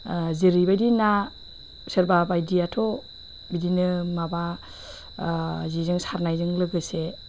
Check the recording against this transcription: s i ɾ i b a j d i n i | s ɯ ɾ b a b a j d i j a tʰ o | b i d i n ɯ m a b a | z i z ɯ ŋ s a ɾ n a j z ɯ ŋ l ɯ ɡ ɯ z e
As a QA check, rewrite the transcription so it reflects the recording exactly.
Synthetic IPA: z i ɾ i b a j d i n a | s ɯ ɾ b a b a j d i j a tʰ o | b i d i n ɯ m a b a | z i z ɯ ŋ s a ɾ n a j z ɯ ŋ l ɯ ɡ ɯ s e